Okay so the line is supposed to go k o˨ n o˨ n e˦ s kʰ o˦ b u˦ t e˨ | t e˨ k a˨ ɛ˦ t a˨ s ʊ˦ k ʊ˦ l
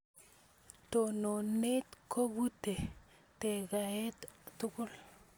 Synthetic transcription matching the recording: t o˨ n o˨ n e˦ t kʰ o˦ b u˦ t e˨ | t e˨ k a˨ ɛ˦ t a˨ t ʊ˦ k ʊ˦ l